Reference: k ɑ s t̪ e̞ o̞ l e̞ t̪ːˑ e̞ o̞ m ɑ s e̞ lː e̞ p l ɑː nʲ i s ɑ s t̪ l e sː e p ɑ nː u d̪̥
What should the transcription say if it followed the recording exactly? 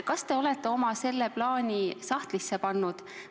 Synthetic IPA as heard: k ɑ s t̪ e̞ o̞ l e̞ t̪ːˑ e̞ o̞ m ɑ s e̞ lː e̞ p l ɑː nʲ i s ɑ h t̪ l i sː e p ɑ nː u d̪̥